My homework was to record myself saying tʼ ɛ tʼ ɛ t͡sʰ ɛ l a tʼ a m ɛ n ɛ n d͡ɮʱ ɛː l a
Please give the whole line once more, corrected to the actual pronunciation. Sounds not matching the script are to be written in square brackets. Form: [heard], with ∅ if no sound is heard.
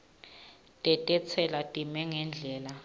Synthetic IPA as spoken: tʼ ɛ tʼ ɛ t͡sʰ ɛ l a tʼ [i] m ɛ [ŋ] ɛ n d͡ɮʱ ɛː l a